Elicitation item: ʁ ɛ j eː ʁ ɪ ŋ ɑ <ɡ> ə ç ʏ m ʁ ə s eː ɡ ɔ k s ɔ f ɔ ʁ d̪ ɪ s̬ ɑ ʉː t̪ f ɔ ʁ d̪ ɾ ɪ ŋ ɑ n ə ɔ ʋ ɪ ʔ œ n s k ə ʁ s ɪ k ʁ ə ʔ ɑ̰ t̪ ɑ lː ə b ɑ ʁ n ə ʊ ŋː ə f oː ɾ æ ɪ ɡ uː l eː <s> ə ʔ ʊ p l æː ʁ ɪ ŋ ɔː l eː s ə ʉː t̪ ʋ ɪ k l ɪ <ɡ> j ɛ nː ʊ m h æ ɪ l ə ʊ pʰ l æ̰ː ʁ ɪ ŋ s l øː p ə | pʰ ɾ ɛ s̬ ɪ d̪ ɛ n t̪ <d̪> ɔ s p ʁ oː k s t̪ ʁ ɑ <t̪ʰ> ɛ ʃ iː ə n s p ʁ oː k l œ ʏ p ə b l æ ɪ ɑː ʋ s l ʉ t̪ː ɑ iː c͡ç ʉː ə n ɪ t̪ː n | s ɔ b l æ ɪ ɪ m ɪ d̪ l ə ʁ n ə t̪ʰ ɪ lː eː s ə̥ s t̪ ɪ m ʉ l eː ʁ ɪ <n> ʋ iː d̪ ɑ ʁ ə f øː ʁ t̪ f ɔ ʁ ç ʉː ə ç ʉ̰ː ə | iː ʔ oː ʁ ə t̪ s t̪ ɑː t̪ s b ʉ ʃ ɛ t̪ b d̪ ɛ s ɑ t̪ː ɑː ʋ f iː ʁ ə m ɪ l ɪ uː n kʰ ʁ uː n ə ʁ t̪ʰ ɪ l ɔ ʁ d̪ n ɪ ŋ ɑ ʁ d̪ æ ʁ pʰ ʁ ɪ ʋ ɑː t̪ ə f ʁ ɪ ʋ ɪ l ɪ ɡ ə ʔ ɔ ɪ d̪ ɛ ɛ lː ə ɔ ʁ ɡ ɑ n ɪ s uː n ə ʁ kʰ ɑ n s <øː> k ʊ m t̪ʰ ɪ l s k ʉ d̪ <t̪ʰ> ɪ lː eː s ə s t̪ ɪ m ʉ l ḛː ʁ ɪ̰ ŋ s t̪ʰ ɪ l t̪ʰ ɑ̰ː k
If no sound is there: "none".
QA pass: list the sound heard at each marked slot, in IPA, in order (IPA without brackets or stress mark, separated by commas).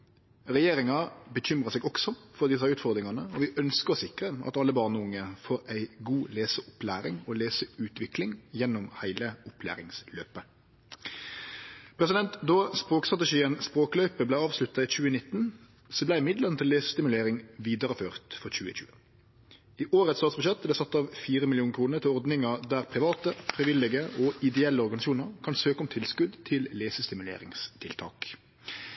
b, s, ŋ, d̪, t̪, ŋ, øː, t̪ʰ